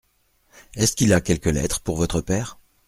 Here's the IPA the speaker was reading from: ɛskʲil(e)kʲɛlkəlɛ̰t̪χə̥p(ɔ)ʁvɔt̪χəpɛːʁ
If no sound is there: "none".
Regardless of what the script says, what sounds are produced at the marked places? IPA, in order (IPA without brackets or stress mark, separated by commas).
a, u